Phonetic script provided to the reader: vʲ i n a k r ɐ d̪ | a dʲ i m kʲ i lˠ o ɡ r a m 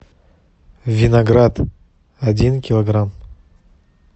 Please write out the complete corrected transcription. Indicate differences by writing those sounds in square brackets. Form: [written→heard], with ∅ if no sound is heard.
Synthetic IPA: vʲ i n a [k→ɡ] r [ɐ→a] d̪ | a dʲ i [m→n] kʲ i lˠ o ɡ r a m